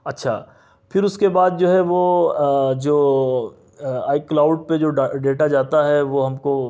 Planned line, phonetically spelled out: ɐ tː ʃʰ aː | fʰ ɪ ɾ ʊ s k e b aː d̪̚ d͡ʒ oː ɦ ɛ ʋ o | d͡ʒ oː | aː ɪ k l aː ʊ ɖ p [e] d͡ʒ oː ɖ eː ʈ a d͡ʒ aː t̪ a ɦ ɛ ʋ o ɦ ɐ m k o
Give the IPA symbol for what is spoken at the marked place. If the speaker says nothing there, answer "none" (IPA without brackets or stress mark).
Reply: e